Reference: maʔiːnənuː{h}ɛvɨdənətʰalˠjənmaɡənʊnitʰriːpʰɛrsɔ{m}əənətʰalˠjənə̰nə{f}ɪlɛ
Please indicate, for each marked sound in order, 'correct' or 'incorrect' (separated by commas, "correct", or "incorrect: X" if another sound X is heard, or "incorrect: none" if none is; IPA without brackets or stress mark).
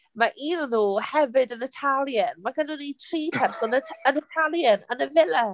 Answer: correct, incorrect: n, incorrect: v